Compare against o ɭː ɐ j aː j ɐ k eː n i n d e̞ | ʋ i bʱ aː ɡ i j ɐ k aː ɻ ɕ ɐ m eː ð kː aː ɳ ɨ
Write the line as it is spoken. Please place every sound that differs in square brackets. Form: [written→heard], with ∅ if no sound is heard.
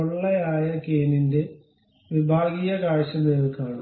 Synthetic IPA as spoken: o ɭː ɐ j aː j ɐ k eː n i n d e̞ | ʋ i bʱ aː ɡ i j ɐ k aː ɻ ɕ ɐ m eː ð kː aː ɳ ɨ

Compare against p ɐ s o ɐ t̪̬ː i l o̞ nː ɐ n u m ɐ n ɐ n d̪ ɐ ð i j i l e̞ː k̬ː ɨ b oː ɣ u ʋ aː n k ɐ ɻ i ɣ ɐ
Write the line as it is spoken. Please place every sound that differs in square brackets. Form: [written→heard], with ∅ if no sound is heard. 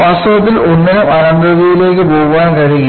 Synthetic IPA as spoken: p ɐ s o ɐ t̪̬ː i l o̞ nː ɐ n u m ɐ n ɐ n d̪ ɐ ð i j i l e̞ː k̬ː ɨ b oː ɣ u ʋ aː n k ɐ ɻ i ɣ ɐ

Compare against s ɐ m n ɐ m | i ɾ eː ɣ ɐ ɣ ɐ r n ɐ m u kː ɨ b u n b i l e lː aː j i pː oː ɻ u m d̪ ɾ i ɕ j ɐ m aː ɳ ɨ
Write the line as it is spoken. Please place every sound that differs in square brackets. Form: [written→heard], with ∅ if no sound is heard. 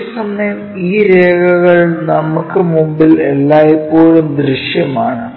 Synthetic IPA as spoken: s ɐ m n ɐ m | [i→iː] ɾ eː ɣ ɐ ɣ ɐ [r→ɭ] n ɐ m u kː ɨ [b→m] u [n→m] b i l e lː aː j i pː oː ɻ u m d̪ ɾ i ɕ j ɐ m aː ɳ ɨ

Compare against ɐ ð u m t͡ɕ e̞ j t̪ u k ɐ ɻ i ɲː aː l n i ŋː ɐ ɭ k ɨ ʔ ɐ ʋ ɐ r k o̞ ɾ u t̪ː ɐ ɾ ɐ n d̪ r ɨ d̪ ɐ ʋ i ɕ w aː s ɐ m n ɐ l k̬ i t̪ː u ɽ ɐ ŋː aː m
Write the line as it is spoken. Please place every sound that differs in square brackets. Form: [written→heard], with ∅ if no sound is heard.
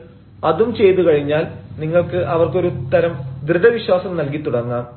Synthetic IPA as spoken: ɐ ð u m t͡ɕ e̞ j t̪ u k ɐ ɻ i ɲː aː l n i ŋː ɐ ɭ k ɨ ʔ ɐ ʋ ɐ r k o̞ ɾ u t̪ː ɐ ɾ ɐ [n→m] d̪ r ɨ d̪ ɐ ʋ i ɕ w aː s ɐ m n ɐ l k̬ i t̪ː u ɽ ɐ ŋː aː m

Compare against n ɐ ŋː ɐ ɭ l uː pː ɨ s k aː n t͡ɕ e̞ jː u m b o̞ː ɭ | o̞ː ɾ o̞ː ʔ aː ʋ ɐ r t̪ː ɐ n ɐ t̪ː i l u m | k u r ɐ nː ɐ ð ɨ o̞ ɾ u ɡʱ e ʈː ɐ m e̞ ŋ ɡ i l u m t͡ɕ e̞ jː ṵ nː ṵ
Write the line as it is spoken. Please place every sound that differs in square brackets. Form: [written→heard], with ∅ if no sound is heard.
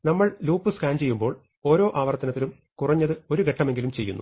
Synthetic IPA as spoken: n ɐ [ŋː→mː] ɐ ɭ l uː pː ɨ s k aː n t͡ɕ e̞ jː u m b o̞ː ɭ | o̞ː ɾ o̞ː ʔ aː ʋ ɐ r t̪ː ɐ n ɐ t̪ː i l u m | k u r ɐ [nː→ɲː] ɐ ð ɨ o̞ ɾ u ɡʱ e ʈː ɐ m e̞ ŋ ɡ i l u m t͡ɕ e̞ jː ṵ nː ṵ

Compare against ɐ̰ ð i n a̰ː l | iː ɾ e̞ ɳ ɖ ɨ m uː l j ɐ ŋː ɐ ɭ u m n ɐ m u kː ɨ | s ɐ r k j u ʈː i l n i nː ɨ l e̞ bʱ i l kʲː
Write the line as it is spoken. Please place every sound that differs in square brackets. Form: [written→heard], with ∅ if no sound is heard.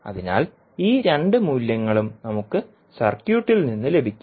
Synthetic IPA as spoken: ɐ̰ ð i n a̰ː l | iː ɾ e̞ ɳ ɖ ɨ m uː l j ɐ ŋː ɐ ɭ u m n ɐ m u kː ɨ | s ɐ r k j [u→uː] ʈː i l n i nː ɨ l e̞ bʱ i [l→∅] kʲː

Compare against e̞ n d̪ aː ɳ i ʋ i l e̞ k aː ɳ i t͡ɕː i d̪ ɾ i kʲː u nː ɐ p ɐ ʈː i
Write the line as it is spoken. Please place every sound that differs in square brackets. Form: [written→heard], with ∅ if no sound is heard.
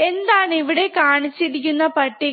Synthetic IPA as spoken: e̞ n d̪ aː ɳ i ʋ i [l→ɽ] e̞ k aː ɳ i t͡ɕː i [d̪→∅] ɾ i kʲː u nː ɐ p ɐ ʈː i

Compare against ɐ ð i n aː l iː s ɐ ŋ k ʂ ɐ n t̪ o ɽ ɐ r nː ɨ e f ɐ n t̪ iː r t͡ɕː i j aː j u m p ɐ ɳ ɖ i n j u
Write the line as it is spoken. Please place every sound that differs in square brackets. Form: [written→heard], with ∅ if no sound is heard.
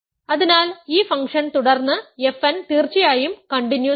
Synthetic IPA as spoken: ɐ ð i n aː l iː [s→f] ɐ ŋ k ʂ ɐ n t̪ [o→u] ɽ ɐ r nː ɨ e f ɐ n t̪ iː r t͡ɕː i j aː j u m [p→k] ɐ ɳ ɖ i n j u

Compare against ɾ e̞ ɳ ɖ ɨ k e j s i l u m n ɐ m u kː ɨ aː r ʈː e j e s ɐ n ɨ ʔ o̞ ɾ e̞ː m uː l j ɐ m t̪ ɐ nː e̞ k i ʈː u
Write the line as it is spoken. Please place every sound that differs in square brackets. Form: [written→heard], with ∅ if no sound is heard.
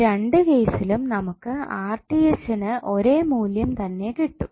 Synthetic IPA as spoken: ɾ e̞ ɳ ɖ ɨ k e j s i l u m n ɐ m u kː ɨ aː r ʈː [e→i] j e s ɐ n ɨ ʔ o̞ ɾ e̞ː m uː l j ɐ m t̪ ɐ nː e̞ k i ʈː u

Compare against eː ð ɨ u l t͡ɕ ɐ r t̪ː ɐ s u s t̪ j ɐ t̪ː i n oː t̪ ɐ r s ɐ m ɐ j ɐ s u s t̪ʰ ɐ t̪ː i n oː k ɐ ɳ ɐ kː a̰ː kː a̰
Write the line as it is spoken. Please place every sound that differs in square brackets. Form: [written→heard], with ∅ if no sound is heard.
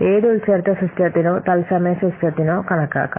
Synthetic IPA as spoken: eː ð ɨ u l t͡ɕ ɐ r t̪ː ɐ s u s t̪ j ɐ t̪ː i n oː t̪ ɐ [r→l] s ɐ m ɐ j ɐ s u s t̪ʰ ɐ t̪ː i n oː k ɐ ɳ ɐ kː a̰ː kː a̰

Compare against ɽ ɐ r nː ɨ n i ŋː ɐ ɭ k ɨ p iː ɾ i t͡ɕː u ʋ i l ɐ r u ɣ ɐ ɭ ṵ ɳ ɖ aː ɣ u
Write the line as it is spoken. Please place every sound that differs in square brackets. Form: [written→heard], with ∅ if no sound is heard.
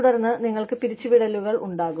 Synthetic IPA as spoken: ɽ ɐ r nː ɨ n i ŋː ɐ ɭ k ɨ p [iː→i] ɾ i t͡ɕː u ʋ i [l→ɽ] ɐ [r→l] u ɣ ɐ ɭ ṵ ɳ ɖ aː ɣ u

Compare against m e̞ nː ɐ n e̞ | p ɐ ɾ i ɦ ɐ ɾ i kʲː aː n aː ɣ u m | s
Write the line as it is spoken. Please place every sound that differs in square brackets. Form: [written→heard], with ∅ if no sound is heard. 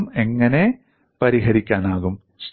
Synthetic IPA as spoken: m e̞ [nː→ŋː] ɐ n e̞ | p ɐ ɾ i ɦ ɐ ɾ i kʲː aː n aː ɣ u m | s

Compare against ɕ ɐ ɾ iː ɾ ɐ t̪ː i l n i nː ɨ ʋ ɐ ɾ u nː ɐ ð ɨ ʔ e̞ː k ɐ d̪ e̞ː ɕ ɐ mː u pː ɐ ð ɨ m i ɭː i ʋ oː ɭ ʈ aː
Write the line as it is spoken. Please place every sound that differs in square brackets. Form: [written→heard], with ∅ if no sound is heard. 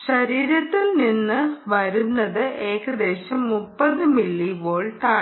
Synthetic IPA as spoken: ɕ ɐ ɾ iː ɾ ɐ t̪ː i l n i nː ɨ ʋ ɐ ɾ u nː ɐ ð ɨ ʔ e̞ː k ɐ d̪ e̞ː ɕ ɐ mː u pː ɐ ð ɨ m i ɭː i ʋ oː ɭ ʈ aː

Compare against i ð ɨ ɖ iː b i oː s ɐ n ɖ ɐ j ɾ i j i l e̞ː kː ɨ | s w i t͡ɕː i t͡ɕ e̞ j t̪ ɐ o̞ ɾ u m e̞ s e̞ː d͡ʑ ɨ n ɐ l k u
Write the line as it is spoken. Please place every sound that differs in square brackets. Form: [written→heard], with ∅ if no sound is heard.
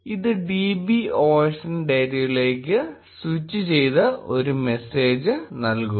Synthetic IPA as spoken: i ð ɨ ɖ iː b i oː [s→ʂ] ɐ n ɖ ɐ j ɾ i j i l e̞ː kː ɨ | s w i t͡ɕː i t͡ɕ e̞ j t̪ ɐ o̞ ɾ u m e̞ s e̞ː d͡ʑ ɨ n ɐ l k u

